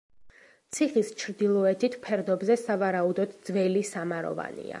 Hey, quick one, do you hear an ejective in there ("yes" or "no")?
no